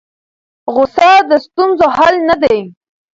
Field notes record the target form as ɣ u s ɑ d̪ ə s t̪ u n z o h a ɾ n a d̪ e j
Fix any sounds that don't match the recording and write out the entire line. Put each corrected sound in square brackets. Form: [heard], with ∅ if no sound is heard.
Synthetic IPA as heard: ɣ [ʊ] s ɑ d̪ ə s t̪ u n z o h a [l] n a d̪ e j